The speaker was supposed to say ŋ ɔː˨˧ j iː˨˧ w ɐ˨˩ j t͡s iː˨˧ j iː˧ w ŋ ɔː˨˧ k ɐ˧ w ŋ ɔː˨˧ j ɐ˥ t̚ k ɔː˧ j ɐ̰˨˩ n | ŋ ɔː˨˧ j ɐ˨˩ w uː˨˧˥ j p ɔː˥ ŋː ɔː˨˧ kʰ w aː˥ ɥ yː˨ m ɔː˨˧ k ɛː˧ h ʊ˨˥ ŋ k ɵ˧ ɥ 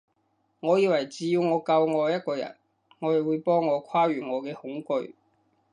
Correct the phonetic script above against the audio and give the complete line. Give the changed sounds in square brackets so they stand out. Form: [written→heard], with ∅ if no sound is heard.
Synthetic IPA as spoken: ŋ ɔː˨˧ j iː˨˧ w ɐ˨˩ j t͡s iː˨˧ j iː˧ w ŋ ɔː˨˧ k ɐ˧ w ŋ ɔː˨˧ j ɐ˥ t̚ k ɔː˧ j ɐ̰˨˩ n | ŋ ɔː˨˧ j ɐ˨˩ w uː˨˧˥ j p ɔː˥ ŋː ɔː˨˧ kʰ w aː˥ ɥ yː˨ [m→ŋ] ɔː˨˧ k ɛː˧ h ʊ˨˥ ŋ k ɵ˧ ɥ